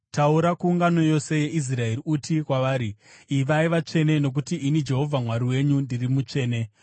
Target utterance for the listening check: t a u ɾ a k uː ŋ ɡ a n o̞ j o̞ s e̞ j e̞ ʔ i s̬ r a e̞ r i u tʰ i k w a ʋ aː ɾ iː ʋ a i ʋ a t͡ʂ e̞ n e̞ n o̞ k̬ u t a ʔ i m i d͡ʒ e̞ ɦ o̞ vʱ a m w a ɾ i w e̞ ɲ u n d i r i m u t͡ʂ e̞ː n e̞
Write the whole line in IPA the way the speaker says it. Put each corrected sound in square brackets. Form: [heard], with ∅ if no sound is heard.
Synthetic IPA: t a u ɾ a k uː ŋ ɡ a n o̞ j o̞ s e̞ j e̞ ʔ i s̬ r a e̞ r i u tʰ i k w a ʋ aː ɾ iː ʋ a i ʋ a t͡ʂ e̞ n e̞ n o̞ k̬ u t [i] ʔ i [n] i d͡ʒ e̞ ɦ o̞ vʱ a m w a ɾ i w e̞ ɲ u n d i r i m u t͡ʂ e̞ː n e̞

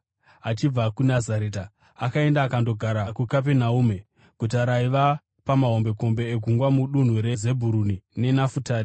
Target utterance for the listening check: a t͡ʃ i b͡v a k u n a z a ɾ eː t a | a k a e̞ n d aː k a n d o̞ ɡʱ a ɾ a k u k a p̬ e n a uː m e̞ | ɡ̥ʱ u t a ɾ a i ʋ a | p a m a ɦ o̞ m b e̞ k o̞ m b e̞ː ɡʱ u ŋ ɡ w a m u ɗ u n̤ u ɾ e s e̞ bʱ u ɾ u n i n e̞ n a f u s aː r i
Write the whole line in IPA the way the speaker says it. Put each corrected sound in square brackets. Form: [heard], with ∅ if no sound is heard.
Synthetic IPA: a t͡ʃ i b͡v a k u n a z a ɾ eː t a | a k a e̞ n d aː k a n d o̞ ɡʱ a ɾ a k u k a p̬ e n a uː m e̞ | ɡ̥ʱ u t a ɾ a i ʋ a | p a m a ɦ o̞ m b e̞ k o̞ m b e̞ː ɡʱ u ŋ ɡ w a m u ɗ u n̤ u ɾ e [z] e̞ bʱ u ɾ u n i n e̞ n a f u [t] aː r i

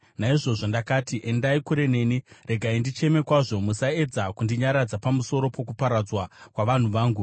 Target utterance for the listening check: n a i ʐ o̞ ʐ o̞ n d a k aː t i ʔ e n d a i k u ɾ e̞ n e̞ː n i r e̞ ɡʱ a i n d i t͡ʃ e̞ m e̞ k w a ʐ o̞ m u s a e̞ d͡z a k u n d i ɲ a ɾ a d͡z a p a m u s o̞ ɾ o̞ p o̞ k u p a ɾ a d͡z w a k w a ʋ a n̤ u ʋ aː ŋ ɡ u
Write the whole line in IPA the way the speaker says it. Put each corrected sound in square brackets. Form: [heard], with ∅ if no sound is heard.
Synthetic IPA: n a i ʐ o̞ ʐ o̞ n d a k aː t i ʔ e n d a i k u ɾ e̞ n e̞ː n i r e̞ ɡʱ a i n d i t͡ʃ e̞ m e̞ k w a ʐ o̞ m u s a e̞ d͡z a k u n d i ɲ a ɾ a d͡z a p a m u s o̞ ɾ o̞ p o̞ k u p a ɾ a d͡z w a k w a ʋ a n̤ u ʋ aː ŋ ɡ u

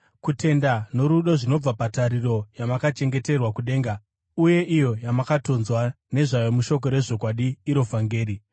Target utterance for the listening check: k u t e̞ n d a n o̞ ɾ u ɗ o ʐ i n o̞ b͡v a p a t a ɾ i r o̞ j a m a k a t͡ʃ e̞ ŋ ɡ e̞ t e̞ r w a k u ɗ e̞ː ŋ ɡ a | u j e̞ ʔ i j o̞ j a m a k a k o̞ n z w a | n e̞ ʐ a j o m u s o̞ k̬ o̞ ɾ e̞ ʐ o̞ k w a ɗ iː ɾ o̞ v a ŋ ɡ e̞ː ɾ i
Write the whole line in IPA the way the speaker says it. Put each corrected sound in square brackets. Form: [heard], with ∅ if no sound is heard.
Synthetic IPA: k u t e̞ n d a n o̞ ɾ u ɗ o ʐ i n o̞ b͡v a p a t a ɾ i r o̞ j a m a k a t͡ʃ e̞ ŋ ɡ e̞ t e̞ r w a k u ɗ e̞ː ŋ ɡ a | u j e̞ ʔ i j o̞ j a m a k a [t] o̞ n z w a | n e̞ ʐ a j o m u [ʃ] o̞ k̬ o̞ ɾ e̞ ʐ o̞ k w a ɗ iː ɾ o̞ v a ŋ ɡ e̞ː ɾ i

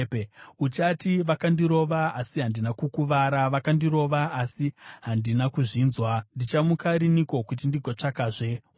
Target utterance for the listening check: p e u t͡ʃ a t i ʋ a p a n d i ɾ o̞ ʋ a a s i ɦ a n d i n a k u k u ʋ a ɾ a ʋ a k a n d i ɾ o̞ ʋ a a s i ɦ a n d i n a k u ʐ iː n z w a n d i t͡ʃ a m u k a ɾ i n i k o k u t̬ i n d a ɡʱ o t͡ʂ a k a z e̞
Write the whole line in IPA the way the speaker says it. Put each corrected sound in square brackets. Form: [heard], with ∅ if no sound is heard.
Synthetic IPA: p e u t͡ʃ a t i ʋ a [k] a n d i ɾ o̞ ʋ a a s i ɦ a n d i n a k u k u ʋ a ɾ a ʋ a k a n d i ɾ o̞ ʋ a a s i ɦ a n d i n a k u ʐ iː n z w a n d i t͡ʃ a m u k a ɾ i n i k o k u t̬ i n d [i] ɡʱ o t͡ʂ a k a [ʐ] e̞

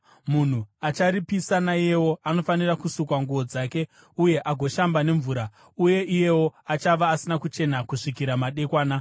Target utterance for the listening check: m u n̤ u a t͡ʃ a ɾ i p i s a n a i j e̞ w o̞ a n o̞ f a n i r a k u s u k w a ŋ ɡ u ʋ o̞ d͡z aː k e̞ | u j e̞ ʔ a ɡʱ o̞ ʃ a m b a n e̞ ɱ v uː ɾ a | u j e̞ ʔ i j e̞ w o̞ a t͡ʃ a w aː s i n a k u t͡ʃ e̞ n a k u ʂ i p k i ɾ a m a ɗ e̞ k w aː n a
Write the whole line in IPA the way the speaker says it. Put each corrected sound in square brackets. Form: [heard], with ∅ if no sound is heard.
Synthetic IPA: m u n̤ u a t͡ʃ a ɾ i p i s a n a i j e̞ w o̞ a n o̞ f a n i r a k u s u k w a ŋ ɡ u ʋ o̞ d͡z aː k e̞ | u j e̞ ʔ a ɡʱ o̞ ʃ a m b a n e̞ ɱ v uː ɾ a | u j e̞ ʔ i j e̞ w o̞ a t͡ʃ a [ʋ] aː s i n a k u t͡ʃ e̞ n a k u ʂ i [∅] k i ɾ a m a ɗ e̞ k w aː n a

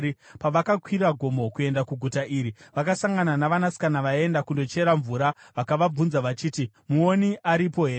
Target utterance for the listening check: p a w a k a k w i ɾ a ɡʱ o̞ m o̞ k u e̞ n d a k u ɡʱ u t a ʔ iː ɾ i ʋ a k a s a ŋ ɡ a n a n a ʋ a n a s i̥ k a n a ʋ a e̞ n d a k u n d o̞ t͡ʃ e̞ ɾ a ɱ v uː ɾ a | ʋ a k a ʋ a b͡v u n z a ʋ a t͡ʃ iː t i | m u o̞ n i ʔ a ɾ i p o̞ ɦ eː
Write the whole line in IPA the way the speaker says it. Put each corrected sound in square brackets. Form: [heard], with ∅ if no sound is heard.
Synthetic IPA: p a [ʋ] a k a k w i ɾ a ɡʱ o̞ m o̞ k u e̞ n d a k u ɡʱ u t a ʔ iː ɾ i ʋ a k a s a ŋ ɡ a n a n a ʋ a n a s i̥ k a n a ʋ a e̞ n d a k u n d o̞ t͡ʃ e̞ ɾ a ɱ v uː ɾ a | ʋ a k a ʋ a b͡v u n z a ʋ a t͡ʃ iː t i | m u o̞ n i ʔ a ɾ i p o̞ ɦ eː

